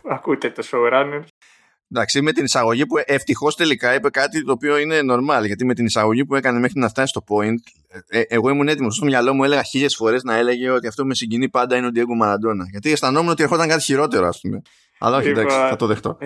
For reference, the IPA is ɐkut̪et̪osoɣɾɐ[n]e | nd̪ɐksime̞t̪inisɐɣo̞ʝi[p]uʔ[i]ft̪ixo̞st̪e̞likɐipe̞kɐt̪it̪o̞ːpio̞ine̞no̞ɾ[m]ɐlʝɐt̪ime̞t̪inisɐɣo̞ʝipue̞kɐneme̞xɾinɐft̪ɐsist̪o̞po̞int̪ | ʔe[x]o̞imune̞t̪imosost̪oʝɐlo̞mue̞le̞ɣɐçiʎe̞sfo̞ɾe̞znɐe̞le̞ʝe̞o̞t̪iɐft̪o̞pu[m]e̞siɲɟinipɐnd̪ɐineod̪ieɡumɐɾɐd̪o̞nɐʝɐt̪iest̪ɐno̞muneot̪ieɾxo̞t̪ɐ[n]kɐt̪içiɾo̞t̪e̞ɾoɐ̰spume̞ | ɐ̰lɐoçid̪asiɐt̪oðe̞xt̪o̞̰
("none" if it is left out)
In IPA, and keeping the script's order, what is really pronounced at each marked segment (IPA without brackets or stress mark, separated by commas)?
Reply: n, p, e, m, ɣ, m, ŋ